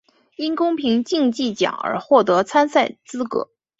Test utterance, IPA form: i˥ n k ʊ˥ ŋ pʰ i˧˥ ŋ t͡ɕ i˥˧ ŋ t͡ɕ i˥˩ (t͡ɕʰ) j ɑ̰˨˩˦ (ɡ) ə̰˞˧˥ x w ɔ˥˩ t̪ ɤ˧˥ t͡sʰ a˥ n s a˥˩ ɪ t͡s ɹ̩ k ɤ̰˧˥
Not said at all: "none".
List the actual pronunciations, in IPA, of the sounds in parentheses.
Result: t͡ɕ, ŋ

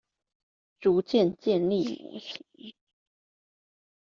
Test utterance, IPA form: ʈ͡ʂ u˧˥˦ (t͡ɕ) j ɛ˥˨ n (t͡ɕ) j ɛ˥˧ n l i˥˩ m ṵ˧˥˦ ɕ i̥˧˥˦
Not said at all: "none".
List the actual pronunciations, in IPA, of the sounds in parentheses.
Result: t͡ɕ, t͡ɕ

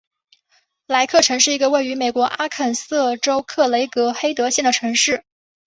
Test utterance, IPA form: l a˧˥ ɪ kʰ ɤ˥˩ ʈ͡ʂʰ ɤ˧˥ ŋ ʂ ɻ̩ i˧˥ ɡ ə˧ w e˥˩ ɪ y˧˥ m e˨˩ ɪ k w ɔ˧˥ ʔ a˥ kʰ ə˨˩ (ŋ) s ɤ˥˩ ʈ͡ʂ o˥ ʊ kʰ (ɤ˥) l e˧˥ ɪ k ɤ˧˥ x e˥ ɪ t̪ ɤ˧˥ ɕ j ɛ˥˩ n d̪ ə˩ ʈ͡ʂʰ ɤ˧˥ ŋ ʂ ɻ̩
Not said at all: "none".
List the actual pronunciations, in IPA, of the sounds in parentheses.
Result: n, ɤ˥˩

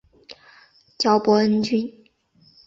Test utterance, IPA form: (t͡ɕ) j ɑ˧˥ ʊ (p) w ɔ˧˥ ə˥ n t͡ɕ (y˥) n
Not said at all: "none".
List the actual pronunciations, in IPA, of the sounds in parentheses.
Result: t͡ɕ, p, y˥

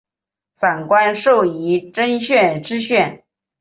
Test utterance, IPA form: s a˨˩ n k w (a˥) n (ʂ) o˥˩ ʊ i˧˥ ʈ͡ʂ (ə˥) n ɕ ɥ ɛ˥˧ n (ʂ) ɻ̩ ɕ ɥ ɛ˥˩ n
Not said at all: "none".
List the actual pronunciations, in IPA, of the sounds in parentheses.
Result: a˥, ʂ, ə˥, ʈ͡ʂ

